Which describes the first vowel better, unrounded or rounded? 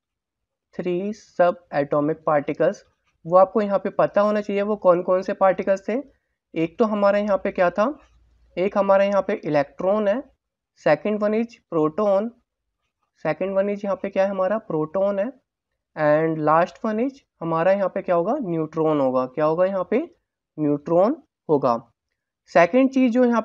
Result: unrounded